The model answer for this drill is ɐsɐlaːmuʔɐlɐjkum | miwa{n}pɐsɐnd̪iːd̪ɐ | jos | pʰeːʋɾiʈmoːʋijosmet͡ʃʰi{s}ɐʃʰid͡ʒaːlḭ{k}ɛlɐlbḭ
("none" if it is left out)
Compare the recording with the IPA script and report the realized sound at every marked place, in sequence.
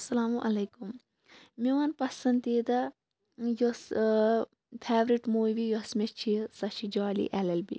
n, s, ʔ

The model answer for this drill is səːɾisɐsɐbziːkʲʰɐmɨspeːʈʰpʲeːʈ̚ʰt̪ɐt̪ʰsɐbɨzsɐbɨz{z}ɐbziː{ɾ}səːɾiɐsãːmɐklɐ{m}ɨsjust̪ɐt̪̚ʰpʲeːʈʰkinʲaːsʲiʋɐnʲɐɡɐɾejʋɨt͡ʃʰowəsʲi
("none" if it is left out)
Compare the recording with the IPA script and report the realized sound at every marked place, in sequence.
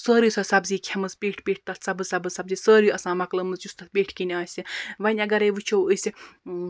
s, none, m

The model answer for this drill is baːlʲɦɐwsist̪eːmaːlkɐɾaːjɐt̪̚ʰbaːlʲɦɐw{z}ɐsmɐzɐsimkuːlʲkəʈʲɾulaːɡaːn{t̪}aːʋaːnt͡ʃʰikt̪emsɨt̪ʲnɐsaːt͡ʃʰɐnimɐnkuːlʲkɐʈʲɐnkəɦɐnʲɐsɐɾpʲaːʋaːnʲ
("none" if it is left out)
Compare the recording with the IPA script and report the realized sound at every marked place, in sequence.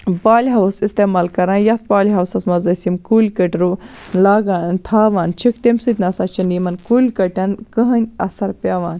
s, t̪ʰ

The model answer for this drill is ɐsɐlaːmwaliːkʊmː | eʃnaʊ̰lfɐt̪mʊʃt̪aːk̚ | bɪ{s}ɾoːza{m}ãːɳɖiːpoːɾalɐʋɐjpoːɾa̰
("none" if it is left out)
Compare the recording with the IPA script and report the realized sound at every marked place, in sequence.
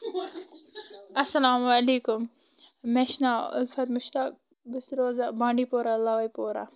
s, b

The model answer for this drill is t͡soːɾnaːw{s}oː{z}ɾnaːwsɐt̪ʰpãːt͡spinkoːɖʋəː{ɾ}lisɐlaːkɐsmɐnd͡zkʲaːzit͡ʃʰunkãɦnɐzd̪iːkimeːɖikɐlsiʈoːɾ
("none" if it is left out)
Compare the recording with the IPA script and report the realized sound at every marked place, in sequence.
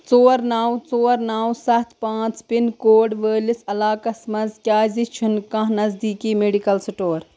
t͡s, none, none

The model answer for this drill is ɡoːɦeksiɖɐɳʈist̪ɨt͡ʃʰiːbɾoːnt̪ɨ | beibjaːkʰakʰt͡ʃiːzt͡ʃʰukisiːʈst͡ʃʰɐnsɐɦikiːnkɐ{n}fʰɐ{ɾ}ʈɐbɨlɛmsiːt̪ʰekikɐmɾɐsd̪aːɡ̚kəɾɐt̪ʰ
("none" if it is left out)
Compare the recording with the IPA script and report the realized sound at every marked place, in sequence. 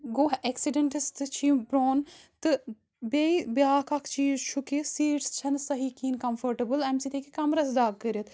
m, ɾ

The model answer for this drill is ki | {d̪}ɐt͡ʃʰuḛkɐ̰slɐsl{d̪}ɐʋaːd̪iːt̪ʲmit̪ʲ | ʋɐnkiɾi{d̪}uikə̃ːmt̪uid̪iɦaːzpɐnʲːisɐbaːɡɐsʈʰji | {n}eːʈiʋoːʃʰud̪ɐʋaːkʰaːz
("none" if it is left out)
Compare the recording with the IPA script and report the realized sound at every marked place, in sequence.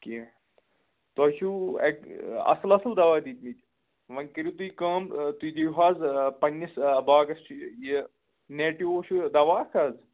t̪, d̪, t̪, n

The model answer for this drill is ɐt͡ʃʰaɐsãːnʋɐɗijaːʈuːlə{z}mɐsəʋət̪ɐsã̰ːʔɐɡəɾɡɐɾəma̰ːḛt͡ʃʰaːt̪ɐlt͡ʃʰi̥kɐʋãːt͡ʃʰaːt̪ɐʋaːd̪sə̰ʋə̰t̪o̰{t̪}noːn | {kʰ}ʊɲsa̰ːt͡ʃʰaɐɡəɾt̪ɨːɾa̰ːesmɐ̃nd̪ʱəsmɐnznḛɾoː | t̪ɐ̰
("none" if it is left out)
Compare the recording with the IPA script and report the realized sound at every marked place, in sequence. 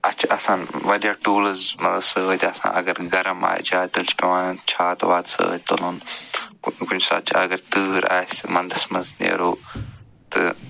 z, none, k

